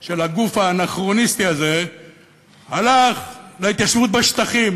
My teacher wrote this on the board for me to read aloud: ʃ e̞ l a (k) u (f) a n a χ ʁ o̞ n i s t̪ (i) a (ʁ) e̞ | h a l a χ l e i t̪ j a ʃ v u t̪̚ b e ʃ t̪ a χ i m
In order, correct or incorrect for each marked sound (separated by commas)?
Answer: incorrect, correct, correct, incorrect